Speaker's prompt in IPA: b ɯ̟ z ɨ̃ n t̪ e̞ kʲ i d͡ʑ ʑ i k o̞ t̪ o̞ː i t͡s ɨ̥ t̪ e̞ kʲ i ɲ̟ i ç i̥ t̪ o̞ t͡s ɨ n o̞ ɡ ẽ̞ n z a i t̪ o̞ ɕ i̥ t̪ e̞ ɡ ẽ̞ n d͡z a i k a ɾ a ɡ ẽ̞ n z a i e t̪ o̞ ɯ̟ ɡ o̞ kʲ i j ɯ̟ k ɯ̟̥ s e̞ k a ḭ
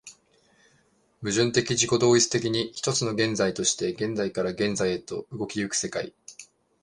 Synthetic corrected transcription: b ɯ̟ ʑ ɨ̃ n t̪ e̞ kʲ i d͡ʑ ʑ i k o̞ d̪ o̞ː i t͡s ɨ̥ t̪ e̞ kʲ i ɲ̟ i ç i̥ t̪ o̞ t͡s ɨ n o̞ ɡ ẽ̞ n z a i t̪ o̞ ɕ i̥ t̪ e̞ ɡ ẽ̞ n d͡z a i k a ɾ a ɡ ẽ̞ n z a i e t̪ o̞ ɯ̟ ɡ o̞ kʲ i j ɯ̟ k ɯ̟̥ s e̞ k a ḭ